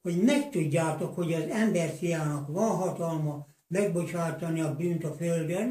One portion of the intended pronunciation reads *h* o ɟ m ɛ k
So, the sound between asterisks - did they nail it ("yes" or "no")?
yes